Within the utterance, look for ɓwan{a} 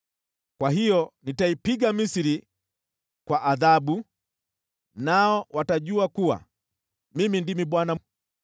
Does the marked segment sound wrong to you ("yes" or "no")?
no